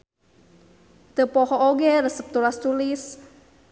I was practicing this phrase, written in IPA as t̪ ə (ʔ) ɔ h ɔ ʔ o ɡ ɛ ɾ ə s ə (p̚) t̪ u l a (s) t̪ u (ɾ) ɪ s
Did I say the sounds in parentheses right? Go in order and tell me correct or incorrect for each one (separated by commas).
incorrect, correct, correct, incorrect